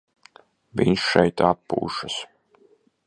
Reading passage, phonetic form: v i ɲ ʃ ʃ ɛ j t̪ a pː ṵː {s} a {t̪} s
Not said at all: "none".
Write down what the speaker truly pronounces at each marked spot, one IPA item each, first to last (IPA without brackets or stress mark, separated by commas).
ʃ, none